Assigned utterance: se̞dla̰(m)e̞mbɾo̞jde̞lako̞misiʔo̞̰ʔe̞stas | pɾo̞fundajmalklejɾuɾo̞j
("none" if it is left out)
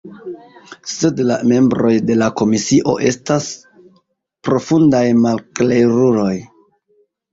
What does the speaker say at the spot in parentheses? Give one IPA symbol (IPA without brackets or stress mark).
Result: m